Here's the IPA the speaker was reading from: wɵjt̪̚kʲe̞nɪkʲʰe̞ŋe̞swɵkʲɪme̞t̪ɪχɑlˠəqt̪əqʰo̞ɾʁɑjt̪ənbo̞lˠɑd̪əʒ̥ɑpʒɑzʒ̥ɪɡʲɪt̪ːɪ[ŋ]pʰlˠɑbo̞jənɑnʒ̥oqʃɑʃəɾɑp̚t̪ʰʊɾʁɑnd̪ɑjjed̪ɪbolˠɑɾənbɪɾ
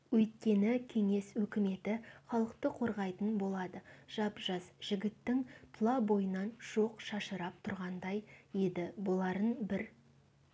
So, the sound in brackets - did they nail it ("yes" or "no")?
yes